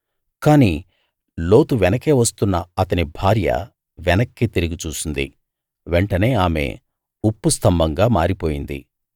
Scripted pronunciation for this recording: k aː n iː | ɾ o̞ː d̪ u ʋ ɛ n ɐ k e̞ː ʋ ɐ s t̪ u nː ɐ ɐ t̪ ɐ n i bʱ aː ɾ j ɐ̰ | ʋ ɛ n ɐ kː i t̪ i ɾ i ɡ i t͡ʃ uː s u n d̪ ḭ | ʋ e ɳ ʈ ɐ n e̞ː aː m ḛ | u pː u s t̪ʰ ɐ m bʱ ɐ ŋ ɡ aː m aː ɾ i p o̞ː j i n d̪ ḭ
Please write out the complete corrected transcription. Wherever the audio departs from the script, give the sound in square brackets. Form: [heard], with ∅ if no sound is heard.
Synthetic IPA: k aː n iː | [l] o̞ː [t̪] u ʋ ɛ n ɐ k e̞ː ʋ ɐ s t̪ u nː ɐ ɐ t̪ ɐ n i bʱ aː ɾ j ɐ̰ | ʋ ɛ n ɐ kː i t̪ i ɾ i ɡ i t͡ʃ uː s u n d̪ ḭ | ʋ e ɳ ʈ ɐ n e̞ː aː m ḛ | u pː u s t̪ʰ ɐ m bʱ ɐ ŋ ɡ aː m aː ɾ i p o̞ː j i n d̪ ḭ

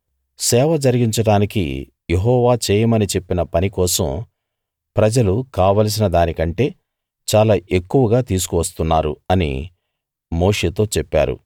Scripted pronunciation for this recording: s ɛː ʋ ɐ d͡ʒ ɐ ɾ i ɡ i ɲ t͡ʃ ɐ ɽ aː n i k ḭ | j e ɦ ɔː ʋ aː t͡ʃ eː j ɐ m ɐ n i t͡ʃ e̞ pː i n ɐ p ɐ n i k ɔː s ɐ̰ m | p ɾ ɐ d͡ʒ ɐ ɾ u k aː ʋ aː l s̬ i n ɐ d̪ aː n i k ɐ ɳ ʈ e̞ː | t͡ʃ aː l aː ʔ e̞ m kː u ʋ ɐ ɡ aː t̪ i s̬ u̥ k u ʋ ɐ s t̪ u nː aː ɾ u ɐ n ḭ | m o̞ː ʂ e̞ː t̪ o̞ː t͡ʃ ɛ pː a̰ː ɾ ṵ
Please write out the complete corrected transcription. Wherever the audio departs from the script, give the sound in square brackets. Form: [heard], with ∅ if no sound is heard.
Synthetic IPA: s ɛː ʋ ɐ d͡ʒ ɐ ɾ i ɡ i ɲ t͡ʃ ɐ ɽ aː n i k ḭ | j e ɦ ɔː ʋ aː t͡ʃ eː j ɐ m ɐ n i t͡ʃ e̞ pː i n ɐ p ɐ n i k ɔː s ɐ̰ m | p ɾ ɐ d͡ʒ ɐ [l] u k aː ʋ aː l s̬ i n ɐ d̪ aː n i k ɐ ɳ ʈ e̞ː | t͡ʃ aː l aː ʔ e̞ [∅] kː u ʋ ɐ ɡ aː t̪ [iː] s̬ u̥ k u ʋ ɐ s t̪ u nː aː ɾ u ɐ n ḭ | m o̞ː ʂ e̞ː t̪ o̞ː t͡ʃ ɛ pː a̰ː ɾ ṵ

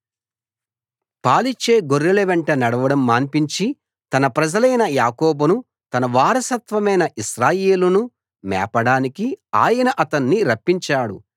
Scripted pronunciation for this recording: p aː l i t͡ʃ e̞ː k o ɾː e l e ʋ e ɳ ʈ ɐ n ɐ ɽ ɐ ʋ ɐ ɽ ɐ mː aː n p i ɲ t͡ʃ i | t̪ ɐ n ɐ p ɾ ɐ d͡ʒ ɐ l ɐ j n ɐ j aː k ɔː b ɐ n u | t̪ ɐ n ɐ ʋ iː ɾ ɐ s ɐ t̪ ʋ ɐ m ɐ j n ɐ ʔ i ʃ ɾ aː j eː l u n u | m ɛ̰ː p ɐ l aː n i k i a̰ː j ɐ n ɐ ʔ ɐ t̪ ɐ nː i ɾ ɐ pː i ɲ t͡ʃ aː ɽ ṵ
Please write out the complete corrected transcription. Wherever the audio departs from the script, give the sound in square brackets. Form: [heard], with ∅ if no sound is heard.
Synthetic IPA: p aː l i t͡ʃ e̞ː [ɡ] o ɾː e l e ʋ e ɳ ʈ ɐ n ɐ ɽ ɐ ʋ ɐ ɽ ɐ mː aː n p i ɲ t͡ʃ i | t̪ ɐ n ɐ p ɾ ɐ d͡ʒ ɐ l ɐ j n ɐ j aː k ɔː b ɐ n u | t̪ ɐ n ɐ ʋ [aː] ɾ ɐ s ɐ t̪ ʋ ɐ m ɐ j n ɐ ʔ i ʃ ɾ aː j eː l u n u | m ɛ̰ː p ɐ [ɽ] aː n i k i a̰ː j ɐ n ɐ ʔ ɐ t̪ ɐ nː i ɾ ɐ pː i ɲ t͡ʃ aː ɽ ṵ

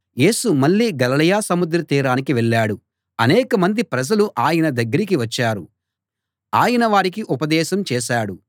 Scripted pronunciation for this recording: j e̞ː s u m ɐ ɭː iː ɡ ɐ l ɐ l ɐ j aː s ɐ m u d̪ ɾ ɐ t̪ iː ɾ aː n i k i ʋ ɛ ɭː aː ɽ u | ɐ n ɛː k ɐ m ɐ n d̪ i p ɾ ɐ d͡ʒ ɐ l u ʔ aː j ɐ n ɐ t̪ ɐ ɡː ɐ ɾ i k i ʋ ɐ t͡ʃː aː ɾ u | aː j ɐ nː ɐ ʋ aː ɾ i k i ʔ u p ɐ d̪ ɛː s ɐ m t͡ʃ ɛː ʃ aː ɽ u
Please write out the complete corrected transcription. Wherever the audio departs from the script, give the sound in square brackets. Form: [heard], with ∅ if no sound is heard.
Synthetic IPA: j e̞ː s u m ɐ ɭː iː ɡ ɐ l ɐ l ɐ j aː s ɐ m u d̪ ɾ ɐ t̪ iː ɾ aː n i k i ʋ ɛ ɭː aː ɽ u | ɐ n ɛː k ɐ m ɐ n d̪ i p ɾ ɐ d͡ʒ ɐ l u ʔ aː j ɐ n ɐ [d̪] ɐ ɡː ɐ ɾ i k i ʋ ɐ t͡ʃː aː ɾ u | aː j ɐ [n] ɐ ʋ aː ɾ i k i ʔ u p ɐ d̪ ɛː [ʃ] ɐ m t͡ʃ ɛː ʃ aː ɽ u

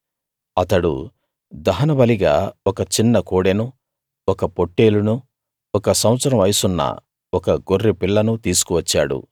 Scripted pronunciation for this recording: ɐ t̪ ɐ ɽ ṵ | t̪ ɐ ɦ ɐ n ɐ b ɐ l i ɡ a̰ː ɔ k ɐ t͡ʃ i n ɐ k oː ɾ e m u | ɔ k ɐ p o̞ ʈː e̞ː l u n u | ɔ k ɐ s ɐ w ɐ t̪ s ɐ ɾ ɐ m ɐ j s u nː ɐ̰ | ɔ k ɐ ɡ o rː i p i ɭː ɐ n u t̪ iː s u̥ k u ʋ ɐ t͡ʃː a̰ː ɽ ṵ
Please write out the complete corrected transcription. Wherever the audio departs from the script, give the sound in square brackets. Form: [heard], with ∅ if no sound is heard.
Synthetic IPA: ɐ t̪ ɐ ɽ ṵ | [d̪] ɐ ɦ ɐ n ɐ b ɐ l i ɡ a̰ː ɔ k ɐ t͡ʃ i [nː] ɐ k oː [ɽ] e [n] u | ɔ k ɐ p o̞ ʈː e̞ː l u n u | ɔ k ɐ s ɐ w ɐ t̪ s ɐ ɾ ɐ m ɐ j s u nː ɐ̰ | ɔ k ɐ ɡ o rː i p i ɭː ɐ n u t̪ iː s u̥ k u ʋ ɐ t͡ʃː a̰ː ɽ ṵ

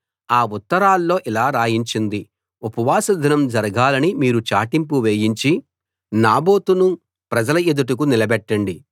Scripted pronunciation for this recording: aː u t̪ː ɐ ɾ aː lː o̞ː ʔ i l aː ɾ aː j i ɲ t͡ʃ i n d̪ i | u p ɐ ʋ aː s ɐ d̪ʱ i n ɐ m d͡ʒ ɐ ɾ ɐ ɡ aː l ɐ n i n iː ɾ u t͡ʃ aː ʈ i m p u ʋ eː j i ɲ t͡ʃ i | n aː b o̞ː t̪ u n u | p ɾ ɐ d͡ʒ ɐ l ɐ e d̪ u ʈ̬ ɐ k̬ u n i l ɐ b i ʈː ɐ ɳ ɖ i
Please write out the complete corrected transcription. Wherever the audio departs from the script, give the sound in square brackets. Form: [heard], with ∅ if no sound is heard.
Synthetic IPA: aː u t̪ː ɐ ɾ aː lː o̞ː ʔ i l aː ɾ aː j i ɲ t͡ʃ i n d̪ i | u p ɐ ʋ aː s ɐ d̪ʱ i n ɐ m d͡ʒ ɐ ɾ ɐ ɡ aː l ɐ n i [m] iː ɾ u t͡ʃ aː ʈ i m p u ʋ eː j i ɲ t͡ʃ i | n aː b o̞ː t̪ u n u | p ɾ ɐ d͡ʒ ɐ l ɐ e d̪ u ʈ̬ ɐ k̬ u n i l ɐ b [ɛ] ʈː ɐ ɳ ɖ i

